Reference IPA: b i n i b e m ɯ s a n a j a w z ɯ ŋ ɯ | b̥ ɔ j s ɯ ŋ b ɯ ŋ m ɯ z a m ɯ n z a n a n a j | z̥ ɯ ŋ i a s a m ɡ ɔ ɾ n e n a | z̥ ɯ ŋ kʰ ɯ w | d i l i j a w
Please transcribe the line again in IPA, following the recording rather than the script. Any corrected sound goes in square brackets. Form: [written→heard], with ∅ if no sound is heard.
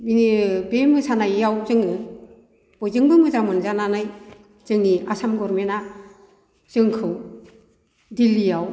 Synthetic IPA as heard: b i n i b e m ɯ s a n a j a w z ɯ ŋ ɯ | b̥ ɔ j [s→z] ɯ ŋ b ɯ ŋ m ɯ z a m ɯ n z a n a n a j | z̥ ɯ ŋ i a s a m ɡ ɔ ɾ [n→m] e n a | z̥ ɯ ŋ kʰ ɯ w | d i l i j a w